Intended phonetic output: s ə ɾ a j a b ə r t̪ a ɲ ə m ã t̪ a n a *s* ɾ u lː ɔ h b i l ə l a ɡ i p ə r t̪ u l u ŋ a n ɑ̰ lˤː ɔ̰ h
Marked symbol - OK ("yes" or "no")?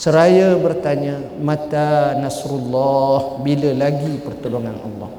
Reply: yes